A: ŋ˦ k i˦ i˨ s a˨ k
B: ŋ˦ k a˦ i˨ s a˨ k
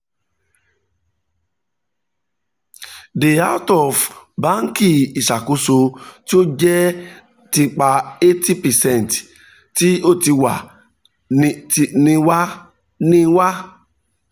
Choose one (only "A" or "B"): A